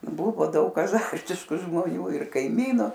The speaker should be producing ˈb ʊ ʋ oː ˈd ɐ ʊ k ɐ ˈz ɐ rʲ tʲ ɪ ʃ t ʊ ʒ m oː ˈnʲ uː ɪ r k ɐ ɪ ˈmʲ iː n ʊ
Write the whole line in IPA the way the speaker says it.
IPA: ˈb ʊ ʋ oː ˈd ɐ ʊ k ɐ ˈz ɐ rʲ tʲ ɪ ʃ k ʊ ʒ m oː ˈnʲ uː ɪ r k ɐ ɪ ˈmʲ iː n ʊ

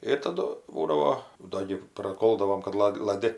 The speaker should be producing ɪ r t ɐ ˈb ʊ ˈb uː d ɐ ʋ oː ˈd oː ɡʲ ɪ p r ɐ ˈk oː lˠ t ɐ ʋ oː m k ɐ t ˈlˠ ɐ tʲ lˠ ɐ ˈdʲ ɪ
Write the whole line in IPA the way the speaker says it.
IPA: ɪ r t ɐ ˈd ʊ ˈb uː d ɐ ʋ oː ˈd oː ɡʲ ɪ p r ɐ ˈk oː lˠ d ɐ ʋ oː m k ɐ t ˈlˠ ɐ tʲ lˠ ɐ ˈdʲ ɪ

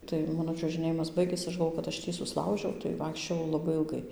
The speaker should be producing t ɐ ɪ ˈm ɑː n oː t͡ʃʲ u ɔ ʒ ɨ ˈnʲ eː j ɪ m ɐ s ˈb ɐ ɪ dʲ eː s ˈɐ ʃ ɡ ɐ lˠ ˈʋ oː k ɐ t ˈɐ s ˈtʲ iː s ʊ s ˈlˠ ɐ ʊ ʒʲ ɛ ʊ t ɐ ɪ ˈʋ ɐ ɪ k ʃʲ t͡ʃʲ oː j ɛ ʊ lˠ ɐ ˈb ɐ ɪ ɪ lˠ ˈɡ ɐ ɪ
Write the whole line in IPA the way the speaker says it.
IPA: t ɐ ɪ ˈm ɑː n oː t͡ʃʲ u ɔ ʒ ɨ ˈnʲ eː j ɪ m ɐ s ˈb ɐ ɪ ɡʲ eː s ˈɐ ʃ ɡ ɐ lˠ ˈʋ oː k ɐ t ˈɐ ʃ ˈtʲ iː s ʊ s ˈlˠ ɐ ʊ ʒʲ ɛ ʊ t ɐ ɪ ˈʋ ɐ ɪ k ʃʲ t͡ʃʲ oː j ɛ ʊ lˠ ɐ ˈb ɐ ɪ ɪ lˠ ˈɡ ɐ ɪ

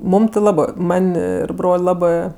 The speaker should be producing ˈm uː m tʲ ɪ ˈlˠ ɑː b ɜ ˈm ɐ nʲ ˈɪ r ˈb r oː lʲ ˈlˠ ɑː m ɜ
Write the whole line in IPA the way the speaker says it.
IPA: ˈm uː m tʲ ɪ ˈlˠ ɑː b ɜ ˈm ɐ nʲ ˈɪ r ˈb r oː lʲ ˈlˠ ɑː b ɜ

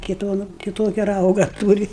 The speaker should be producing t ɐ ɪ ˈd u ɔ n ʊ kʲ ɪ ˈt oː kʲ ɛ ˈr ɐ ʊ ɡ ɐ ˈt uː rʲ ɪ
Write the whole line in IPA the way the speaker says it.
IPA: k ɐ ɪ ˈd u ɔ n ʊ kʲ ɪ ˈt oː kʲ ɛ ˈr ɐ ʊ ɡ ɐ ˈt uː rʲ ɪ

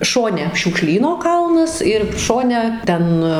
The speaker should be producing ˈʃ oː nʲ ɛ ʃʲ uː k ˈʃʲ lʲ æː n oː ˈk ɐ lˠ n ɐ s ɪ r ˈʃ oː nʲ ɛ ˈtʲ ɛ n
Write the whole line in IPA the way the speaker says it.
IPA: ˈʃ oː nʲ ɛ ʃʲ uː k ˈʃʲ lʲ iː n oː ˈk ɐ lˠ n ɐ s ɪ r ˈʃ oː nʲ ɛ ˈtʲ ɛ n

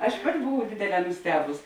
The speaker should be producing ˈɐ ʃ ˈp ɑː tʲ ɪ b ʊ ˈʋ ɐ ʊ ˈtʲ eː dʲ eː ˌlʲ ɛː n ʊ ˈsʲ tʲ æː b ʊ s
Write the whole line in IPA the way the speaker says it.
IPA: ˈɐ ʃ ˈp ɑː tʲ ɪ b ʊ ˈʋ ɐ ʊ ˈdʲ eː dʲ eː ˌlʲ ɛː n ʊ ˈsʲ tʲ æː b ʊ s

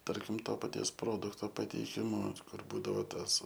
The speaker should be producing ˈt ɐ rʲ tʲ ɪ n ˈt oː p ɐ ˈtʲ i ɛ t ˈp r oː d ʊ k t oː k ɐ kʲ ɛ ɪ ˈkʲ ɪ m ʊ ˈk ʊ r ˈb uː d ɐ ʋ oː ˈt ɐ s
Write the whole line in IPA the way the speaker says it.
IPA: ˈt ɐ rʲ kʲ ɪ m ˈt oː p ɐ ˈtʲ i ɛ s ˈp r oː d ʊ k t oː p ɐ tʲ ɛ ɪ ˈkʲ ɪ m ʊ ˈk ʊ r ˈb uː d ɐ ʋ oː ˈt ɐ s

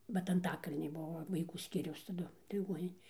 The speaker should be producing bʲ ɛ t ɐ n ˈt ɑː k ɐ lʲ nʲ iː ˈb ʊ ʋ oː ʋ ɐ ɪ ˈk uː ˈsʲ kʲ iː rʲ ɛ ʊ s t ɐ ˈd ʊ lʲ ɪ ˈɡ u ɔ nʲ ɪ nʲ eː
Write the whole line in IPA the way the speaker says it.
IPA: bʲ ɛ t ɐ n ˈt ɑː k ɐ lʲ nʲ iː ˈb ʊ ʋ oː ʋ ɐ ɪ ˈk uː ˈsʲ kʲ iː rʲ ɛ ʊ s t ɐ ˈd ʊ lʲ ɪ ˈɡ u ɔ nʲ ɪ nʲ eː

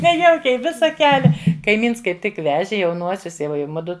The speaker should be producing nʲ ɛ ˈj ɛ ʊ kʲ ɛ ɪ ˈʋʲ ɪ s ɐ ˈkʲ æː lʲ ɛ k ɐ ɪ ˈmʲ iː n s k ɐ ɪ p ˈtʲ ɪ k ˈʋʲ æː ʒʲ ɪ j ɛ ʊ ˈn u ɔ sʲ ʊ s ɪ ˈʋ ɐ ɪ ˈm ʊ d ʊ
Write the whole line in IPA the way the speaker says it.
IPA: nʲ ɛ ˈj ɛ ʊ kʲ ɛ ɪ ˈʋʲ ɪ s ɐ ˈkʲ æː lʲ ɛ k ɐ ɪ ˈmʲ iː n s k ɐ ɪ p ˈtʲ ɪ k ˈʋʲ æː ʒʲ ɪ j ɛ ʊ ˈn u ɔ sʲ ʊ s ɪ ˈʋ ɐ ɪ ˈm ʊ d ʊ

